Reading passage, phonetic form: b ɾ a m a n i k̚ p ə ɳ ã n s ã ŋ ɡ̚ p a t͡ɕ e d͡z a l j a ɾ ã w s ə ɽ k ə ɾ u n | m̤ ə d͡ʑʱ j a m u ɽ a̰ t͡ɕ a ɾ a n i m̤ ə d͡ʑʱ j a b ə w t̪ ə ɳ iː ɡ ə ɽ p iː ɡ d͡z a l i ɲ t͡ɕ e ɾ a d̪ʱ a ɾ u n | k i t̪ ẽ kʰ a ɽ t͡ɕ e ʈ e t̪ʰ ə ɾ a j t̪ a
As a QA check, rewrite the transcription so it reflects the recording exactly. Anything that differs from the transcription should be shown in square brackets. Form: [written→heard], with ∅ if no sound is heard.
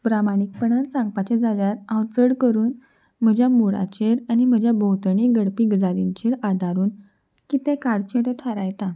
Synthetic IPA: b ɾ a m a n i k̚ p ə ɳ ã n s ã ŋ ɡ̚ p a t͡ɕ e d͡z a l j a ɾ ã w [s→t͡s] ə ɽ k ə ɾ [u→uː] n | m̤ ə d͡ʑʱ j a m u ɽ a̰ t͡ɕ [a→e] ɾ a n i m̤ ə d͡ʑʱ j a b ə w t̪ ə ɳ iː ɡ ə ɽ p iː ɡ d͡z a l i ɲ t͡ɕ e ɾ a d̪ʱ a ɾ [u→uː] n | k i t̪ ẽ [kʰ→k] a ɽ t͡ɕ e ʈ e t̪ʰ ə ɾ a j t̪ a